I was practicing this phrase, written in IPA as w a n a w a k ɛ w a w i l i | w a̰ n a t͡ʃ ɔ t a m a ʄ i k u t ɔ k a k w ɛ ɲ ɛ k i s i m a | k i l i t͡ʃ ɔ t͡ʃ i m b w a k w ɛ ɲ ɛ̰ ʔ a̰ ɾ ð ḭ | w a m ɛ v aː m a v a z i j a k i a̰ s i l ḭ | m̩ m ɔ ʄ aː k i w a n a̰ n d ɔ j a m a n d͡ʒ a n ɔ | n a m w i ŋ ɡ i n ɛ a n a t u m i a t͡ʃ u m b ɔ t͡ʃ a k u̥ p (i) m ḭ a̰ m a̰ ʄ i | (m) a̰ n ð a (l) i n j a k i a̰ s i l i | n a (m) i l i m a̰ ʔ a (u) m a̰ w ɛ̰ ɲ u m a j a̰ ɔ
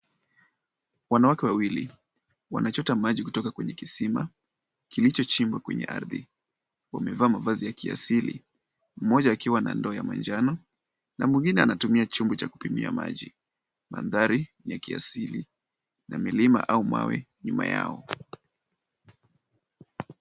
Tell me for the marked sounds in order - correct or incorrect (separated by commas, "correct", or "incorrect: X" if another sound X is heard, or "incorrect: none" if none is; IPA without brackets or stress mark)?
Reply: correct, correct, incorrect: ɾ, correct, correct